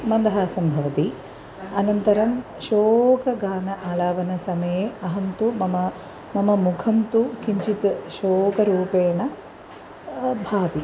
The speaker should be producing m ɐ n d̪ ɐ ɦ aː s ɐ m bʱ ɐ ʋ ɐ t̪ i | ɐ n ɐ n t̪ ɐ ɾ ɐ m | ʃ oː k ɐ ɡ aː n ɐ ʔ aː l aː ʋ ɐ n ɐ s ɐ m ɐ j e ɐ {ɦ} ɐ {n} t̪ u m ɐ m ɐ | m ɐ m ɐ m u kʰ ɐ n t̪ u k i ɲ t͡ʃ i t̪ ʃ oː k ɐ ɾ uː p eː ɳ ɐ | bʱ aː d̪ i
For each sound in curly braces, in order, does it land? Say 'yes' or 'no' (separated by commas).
yes, yes